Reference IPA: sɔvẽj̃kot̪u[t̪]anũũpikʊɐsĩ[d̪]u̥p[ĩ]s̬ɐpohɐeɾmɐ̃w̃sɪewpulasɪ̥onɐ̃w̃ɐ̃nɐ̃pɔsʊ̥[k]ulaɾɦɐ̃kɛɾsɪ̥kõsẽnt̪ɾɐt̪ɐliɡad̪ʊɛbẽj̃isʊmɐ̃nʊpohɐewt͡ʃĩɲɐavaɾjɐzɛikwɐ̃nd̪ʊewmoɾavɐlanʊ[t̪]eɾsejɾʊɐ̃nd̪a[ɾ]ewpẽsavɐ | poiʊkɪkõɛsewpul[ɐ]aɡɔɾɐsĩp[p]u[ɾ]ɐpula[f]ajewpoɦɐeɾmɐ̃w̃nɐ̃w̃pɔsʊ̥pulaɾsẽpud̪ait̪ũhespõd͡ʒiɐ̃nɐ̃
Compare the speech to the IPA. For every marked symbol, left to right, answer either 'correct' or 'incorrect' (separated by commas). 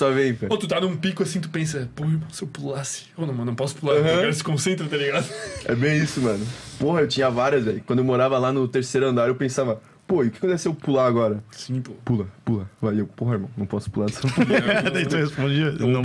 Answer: correct, incorrect, incorrect, incorrect, correct, correct, incorrect, correct, incorrect, incorrect